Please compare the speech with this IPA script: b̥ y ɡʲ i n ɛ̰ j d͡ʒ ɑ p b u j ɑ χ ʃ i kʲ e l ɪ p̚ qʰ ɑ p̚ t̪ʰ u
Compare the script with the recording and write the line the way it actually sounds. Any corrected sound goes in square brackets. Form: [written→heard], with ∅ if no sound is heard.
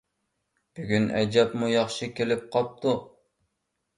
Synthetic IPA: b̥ y ɡʲ [i→y] n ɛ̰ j d͡ʒ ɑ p [b→m] u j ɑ χ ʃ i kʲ e l ɪ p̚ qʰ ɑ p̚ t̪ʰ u